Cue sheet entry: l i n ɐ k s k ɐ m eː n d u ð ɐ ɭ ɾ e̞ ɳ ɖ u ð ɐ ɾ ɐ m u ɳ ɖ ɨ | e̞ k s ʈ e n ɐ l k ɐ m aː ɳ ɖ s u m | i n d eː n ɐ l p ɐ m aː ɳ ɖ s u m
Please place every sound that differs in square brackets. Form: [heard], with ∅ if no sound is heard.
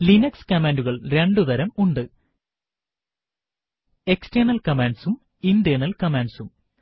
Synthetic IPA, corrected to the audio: l i n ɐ k s k ɐ m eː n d u [ɣ] ɐ ɭ ɾ e̞ ɳ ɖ u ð ɐ ɾ ɐ m u ɳ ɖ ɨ | e̞ k s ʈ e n ɐ l k ɐ m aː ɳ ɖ s u m | i n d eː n ɐ l [k] ɐ m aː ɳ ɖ s u m

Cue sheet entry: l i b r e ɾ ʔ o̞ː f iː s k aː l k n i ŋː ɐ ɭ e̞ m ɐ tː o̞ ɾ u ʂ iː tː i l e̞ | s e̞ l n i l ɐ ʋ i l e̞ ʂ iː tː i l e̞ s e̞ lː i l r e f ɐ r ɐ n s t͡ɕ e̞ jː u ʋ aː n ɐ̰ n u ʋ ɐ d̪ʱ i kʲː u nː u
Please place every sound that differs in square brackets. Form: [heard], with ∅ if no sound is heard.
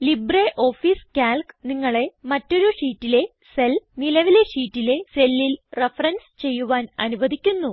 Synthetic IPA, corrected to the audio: l i b r e [∅] ʔ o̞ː f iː s k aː l k n i ŋː ɐ ɭ e̞ m ɐ tː o̞ ɾ u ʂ iː tː i l e̞ | s e̞ l n i l ɐ ʋ i l e̞ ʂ iː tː i l e̞ s e̞ lː i l r e f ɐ r ɐ n s t͡ɕ e̞ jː u ʋ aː n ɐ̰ n u ʋ ɐ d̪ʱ i kʲː u nː u

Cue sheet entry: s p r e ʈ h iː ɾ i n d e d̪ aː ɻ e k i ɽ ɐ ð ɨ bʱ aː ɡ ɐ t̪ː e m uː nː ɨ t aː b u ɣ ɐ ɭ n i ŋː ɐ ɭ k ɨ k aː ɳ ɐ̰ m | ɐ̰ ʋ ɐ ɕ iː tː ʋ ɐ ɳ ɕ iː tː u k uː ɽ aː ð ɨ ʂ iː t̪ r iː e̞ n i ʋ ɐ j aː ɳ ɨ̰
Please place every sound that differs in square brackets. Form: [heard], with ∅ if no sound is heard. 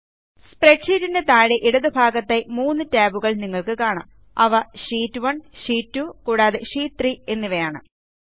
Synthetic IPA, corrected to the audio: s p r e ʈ [ʂ] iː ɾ i n d e [t̪] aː ɻ e [ʔ] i ɽ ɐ ð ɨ bʱ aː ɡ ɐ t̪ː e m uː nː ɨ t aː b u ɣ ɐ ɭ n i ŋː ɐ ɭ k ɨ k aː ɳ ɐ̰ m | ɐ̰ ʋ ɐ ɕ iː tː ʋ ɐ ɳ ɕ iː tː u k uː ɽ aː ð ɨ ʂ iː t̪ r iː e̞ [nː] i ʋ ɐ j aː ɳ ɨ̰

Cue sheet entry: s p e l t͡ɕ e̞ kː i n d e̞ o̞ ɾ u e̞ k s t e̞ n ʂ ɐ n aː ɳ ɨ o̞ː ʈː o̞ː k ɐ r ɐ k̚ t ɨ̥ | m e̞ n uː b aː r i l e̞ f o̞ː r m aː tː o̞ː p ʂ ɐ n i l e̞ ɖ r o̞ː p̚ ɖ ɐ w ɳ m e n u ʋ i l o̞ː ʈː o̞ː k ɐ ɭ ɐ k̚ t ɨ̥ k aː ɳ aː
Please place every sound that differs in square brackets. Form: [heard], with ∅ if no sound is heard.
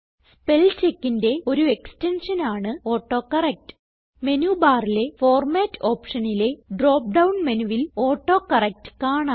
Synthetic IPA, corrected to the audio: s p e l t͡ɕ e̞ kː i n d e̞ o̞ ɾ u e̞ k s t e̞ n ʂ ɐ n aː ɳ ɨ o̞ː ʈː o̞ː k ɐ r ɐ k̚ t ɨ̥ | m e̞ n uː b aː r i l e̞ f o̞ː r m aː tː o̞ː p ʂ ɐ n i l e̞ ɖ r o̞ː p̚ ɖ ɐ w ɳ m e n u ʋ i l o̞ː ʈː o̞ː k ɐ [r] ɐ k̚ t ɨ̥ k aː ɳ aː

